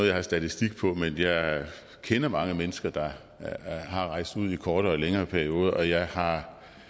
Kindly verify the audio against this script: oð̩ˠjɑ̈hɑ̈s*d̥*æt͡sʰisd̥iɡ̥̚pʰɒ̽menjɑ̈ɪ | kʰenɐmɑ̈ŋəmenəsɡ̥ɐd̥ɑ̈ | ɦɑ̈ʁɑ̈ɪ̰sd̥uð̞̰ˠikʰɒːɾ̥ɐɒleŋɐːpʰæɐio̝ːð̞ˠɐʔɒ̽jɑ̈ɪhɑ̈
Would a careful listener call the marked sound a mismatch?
no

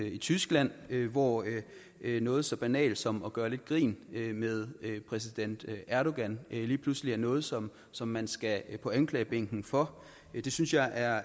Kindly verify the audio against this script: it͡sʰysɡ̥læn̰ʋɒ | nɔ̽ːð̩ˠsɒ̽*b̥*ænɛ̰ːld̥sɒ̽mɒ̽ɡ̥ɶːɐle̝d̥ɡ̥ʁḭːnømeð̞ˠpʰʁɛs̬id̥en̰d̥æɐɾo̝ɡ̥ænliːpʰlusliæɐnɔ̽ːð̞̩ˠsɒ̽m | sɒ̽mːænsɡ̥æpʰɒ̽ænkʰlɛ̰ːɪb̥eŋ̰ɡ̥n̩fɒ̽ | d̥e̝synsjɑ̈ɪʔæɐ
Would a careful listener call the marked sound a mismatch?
no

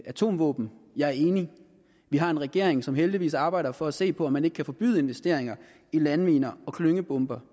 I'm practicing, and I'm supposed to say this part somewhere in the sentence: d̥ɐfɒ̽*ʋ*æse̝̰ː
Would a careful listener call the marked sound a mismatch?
yes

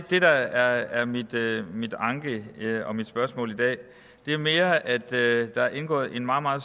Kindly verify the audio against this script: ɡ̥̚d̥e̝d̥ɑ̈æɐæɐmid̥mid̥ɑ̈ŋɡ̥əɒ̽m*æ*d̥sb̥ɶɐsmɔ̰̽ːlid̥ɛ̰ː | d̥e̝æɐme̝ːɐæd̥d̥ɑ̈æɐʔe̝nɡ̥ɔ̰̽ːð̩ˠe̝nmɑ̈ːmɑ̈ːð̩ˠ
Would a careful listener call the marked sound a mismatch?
yes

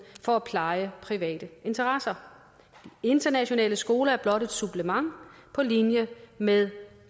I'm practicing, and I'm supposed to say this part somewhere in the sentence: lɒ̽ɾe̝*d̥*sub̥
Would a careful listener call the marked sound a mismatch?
no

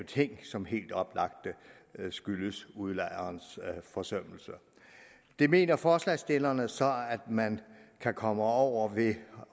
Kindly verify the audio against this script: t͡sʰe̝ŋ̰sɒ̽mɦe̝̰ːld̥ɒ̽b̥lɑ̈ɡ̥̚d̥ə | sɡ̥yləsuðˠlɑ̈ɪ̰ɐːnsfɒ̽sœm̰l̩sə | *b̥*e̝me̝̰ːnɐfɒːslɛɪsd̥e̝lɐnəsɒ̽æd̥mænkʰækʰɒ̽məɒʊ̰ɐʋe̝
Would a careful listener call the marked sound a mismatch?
yes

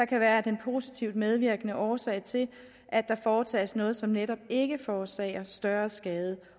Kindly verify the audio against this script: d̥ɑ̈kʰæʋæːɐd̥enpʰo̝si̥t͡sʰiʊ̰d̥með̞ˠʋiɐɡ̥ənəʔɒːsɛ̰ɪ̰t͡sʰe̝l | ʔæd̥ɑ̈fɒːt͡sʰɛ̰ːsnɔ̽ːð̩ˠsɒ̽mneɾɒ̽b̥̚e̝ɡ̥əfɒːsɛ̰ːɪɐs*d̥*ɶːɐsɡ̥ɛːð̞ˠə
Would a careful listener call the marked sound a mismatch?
no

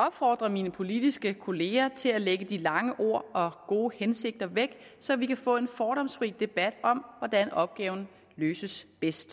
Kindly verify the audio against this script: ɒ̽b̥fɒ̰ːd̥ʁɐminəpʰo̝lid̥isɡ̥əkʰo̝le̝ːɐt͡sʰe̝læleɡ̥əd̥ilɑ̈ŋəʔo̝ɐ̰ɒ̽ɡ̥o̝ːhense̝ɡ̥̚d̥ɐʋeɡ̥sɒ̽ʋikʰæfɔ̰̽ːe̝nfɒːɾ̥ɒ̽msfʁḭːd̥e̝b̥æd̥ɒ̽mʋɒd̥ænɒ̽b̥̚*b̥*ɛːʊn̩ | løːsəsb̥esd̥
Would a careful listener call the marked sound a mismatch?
yes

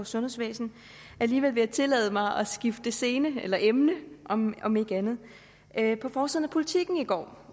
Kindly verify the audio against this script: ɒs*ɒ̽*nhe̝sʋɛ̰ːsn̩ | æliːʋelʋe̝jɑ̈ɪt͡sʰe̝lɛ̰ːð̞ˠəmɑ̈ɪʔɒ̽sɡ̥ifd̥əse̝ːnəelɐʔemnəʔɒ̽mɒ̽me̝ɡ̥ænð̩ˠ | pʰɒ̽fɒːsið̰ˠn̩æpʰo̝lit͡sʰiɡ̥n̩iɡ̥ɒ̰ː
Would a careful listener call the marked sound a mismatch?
yes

